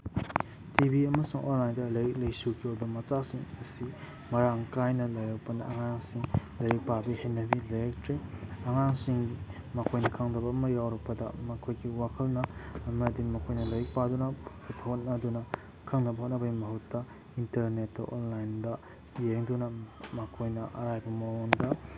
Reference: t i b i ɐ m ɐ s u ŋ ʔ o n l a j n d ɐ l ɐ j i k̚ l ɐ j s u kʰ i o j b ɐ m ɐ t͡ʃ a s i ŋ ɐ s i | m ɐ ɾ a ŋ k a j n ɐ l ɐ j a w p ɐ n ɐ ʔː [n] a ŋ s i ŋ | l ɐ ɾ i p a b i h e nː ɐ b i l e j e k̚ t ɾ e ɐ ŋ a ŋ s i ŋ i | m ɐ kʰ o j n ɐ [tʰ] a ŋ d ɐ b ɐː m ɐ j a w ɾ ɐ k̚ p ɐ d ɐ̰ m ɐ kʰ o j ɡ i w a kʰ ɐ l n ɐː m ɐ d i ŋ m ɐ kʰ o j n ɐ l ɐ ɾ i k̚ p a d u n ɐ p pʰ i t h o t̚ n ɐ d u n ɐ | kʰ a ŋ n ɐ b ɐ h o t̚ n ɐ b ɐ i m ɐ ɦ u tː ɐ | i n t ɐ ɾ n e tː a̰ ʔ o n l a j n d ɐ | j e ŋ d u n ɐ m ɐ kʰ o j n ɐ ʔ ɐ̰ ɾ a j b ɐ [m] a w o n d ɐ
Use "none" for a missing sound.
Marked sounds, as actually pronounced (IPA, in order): ŋ, kʰ, m

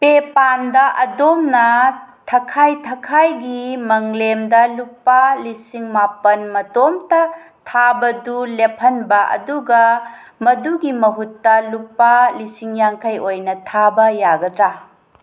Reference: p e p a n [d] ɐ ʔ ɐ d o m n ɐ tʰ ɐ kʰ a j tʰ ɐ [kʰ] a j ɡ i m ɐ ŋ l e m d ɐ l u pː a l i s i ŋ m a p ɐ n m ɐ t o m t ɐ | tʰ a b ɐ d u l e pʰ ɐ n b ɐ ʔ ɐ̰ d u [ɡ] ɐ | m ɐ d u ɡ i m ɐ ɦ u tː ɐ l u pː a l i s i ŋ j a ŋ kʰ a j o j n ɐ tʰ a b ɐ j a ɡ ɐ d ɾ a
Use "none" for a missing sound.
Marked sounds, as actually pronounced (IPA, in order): d, kʰ, ɡ

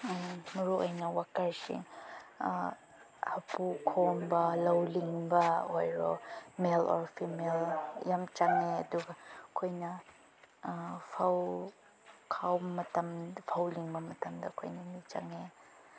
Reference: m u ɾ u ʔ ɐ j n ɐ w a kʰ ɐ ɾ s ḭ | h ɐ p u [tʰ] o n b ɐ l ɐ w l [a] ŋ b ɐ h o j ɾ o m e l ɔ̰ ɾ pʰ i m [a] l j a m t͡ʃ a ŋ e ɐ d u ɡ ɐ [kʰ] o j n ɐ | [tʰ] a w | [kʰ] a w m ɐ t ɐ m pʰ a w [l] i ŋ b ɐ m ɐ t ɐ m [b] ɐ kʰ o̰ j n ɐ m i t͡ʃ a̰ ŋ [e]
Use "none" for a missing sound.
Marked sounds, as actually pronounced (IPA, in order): kʰ, i, e, kʰ, pʰ, kʰ, l, d, e

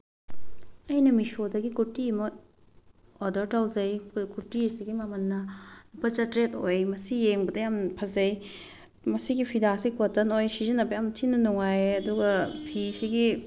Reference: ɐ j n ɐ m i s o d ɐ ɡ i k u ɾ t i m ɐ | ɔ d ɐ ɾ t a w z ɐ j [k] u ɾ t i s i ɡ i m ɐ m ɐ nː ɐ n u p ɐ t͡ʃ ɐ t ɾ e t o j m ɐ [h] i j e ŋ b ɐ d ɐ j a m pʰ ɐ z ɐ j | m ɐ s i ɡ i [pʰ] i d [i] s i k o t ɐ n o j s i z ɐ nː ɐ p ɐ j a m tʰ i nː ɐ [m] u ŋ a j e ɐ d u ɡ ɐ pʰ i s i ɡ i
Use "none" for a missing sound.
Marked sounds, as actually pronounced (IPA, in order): k, s, pʰ, a, n

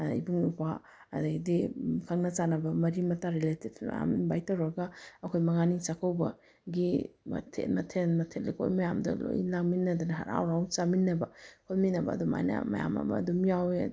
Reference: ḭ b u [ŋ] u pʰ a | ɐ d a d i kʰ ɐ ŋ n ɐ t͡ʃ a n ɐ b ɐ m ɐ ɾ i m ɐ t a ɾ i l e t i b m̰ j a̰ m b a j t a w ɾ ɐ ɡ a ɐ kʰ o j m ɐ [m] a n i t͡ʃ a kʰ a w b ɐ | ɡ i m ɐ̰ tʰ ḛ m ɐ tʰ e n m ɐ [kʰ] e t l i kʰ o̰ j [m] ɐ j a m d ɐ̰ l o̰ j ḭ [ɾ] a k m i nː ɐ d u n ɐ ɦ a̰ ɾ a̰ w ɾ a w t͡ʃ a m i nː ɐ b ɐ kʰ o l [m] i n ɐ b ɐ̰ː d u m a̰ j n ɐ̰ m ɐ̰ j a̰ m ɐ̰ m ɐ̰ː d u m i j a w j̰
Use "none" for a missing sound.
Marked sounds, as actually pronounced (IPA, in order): ŋ, ŋ, tʰ, m, l, m

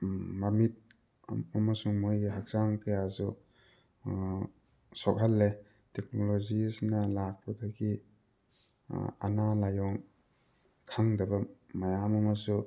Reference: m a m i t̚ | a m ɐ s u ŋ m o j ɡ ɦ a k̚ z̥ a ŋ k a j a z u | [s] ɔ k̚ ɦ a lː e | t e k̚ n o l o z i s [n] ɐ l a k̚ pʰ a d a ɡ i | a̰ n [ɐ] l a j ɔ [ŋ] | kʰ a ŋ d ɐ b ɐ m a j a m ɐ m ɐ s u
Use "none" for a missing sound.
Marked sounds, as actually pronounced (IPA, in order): s, n, a, ŋ

